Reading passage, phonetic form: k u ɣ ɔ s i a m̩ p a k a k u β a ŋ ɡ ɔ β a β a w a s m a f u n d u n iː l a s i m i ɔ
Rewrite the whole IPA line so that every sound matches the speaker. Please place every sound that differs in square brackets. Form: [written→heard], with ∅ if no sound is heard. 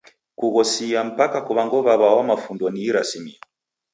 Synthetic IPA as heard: k u ɣ ɔ s i a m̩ p a k a k u β a ŋ ɡ ɔ β a β a w a [s→∅] m a f u n d [u→ɔ] n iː [l→ɾ] a s i m i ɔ